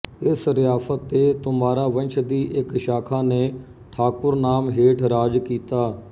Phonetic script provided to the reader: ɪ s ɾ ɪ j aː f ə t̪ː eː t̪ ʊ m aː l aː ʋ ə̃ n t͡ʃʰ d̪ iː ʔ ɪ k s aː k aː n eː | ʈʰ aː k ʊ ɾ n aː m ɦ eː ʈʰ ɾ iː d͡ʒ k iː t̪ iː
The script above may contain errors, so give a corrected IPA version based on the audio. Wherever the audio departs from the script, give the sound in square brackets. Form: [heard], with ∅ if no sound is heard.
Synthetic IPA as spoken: ɪ s ɾ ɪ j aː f ə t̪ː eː t̪ ʊ m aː [ɾ] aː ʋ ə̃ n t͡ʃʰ d̪ iː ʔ ɪ k [ʃ] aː [kʰ] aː n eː | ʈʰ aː k ʊ ɾ n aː m ɦ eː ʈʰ ɾ [aː] d͡ʒ k iː t̪ [aː]